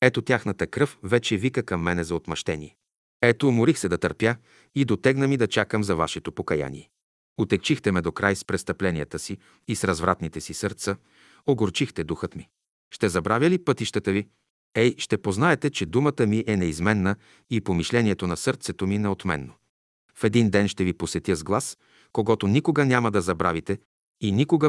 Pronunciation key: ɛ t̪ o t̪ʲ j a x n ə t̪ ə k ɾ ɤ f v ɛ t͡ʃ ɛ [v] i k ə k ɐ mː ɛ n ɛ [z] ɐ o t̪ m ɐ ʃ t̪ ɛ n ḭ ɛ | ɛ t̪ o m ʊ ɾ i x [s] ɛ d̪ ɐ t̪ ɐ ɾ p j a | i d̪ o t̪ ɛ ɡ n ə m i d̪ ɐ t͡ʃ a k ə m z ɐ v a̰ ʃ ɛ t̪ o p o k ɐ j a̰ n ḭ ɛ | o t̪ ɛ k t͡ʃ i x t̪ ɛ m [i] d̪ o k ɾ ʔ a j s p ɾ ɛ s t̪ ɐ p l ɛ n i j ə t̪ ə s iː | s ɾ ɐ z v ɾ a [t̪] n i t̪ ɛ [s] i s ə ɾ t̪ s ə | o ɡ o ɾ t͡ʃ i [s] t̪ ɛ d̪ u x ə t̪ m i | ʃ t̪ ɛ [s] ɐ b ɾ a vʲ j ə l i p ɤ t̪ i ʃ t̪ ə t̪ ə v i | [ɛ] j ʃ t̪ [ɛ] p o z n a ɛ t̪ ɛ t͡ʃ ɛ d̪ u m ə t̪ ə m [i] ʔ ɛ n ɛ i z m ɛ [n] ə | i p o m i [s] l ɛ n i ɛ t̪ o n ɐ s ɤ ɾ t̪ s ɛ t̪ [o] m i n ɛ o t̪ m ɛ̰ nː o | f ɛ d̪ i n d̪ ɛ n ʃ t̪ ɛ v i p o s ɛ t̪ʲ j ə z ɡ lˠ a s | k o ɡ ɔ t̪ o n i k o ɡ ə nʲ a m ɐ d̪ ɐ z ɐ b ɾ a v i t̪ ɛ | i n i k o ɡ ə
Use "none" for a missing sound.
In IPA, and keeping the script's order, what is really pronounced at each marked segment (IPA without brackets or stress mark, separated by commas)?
v, z, s, ɛ, t̪, s, x, z, ɛ, ɛ, i, nː, ʃ, o